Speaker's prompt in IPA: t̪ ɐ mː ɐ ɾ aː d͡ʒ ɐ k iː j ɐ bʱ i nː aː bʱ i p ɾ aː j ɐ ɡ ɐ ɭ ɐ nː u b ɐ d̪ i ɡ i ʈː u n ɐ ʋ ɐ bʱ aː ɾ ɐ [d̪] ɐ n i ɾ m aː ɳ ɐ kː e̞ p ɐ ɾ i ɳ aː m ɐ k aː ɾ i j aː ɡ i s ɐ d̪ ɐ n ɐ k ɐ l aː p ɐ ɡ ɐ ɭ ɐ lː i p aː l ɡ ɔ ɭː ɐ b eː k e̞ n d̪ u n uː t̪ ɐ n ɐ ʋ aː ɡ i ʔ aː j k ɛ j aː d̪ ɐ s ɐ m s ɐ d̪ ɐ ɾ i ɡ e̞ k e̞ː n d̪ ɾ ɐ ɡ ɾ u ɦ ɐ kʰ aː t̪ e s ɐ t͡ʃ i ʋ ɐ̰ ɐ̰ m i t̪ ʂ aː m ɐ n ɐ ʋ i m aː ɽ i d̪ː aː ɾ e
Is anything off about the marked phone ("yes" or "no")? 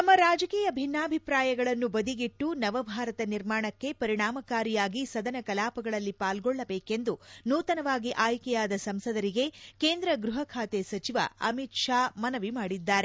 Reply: yes